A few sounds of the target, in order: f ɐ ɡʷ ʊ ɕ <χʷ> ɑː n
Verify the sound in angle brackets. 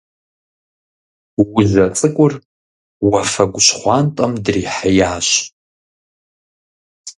correct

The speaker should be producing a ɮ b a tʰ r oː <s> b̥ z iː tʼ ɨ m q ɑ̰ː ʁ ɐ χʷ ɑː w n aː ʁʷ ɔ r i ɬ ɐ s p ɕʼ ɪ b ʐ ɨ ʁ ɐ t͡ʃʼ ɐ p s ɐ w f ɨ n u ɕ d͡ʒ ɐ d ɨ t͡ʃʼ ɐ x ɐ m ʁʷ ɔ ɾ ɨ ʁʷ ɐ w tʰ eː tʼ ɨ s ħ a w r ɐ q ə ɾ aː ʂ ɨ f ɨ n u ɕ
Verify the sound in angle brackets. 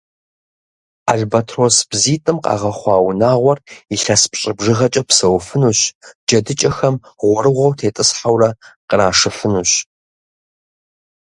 correct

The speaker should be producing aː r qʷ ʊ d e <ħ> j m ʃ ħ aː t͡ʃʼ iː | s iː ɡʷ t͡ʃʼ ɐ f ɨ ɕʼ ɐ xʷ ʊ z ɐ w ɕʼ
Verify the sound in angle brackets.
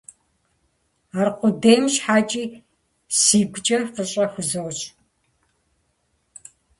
incorrect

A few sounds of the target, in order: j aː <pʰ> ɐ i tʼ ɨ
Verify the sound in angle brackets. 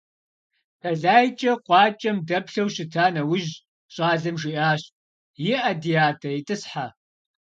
incorrect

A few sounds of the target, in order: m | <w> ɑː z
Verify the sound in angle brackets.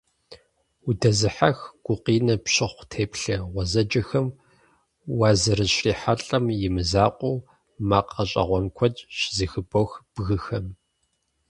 correct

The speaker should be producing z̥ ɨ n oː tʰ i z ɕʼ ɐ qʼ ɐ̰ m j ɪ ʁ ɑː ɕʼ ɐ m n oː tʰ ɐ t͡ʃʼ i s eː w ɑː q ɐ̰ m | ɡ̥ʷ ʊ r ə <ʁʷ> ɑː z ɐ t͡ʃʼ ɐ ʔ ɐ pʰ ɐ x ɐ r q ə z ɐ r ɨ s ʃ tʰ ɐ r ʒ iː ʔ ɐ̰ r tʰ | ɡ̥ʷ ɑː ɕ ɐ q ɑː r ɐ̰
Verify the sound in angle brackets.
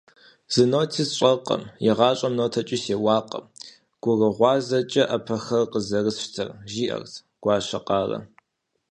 correct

